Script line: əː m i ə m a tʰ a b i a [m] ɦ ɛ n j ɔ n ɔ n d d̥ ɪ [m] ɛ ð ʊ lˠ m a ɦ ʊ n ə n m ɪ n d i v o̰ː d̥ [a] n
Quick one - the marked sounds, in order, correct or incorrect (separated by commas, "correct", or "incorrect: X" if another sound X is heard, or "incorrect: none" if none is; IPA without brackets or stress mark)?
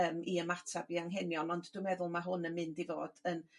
incorrect: ŋ, correct, incorrect: ə